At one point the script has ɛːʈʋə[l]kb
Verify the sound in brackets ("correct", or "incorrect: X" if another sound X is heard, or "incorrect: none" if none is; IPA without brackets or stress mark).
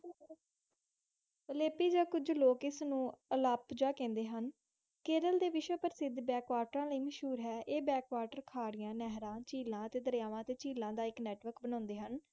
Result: incorrect: ɾ